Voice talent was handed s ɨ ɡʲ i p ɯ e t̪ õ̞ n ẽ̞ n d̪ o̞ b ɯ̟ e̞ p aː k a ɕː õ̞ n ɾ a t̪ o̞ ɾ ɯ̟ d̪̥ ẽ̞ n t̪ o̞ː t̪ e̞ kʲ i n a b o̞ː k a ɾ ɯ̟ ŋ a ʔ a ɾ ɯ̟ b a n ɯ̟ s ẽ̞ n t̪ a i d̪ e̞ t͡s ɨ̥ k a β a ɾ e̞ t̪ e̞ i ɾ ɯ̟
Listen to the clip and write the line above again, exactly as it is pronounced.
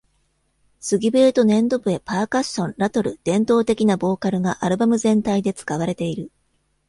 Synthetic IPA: s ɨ ɡʲ i b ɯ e t̪ o̞ n ẽ̞ n d̪ o̞ b ɯ̟ e̞ p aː k a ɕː õ̞ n ɾ a t̪ o̞ ɾ ɯ̟ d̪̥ ẽ̞ n t̪ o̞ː t̪ e̞ kʲ i n a b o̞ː k a ɾ ɯ̟ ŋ a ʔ a ɾ ɯ̟ b a m ɯ̟ z ẽ̞ n t̪ a i d̪ e̞ t͡s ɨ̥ k a β a ɾ e̞ t̪ e̞ i ɾ ɯ̟